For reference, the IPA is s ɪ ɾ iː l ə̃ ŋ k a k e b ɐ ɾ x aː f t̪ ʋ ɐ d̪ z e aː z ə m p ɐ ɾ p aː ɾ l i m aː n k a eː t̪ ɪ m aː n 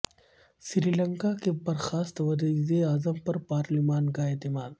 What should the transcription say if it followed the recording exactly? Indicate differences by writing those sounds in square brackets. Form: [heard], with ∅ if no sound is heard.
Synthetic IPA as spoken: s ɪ ɾ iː l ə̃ ŋ k a k e b ɐ ɾ x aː [s] t̪ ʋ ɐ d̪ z e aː z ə m p ɐ ɾ p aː ɾ l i m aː n k a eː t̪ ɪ m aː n